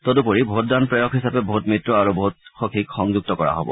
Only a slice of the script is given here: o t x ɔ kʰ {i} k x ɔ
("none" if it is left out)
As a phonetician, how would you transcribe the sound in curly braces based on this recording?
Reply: i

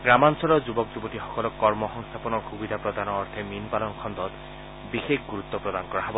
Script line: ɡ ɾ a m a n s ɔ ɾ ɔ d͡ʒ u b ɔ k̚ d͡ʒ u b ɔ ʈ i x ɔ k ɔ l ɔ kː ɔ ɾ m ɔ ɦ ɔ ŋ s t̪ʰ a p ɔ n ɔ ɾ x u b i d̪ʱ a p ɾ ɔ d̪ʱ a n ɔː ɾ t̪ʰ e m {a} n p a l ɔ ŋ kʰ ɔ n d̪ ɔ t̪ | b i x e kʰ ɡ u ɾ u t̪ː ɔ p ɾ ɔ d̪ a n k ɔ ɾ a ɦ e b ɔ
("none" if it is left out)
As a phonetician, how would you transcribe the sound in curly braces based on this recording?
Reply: i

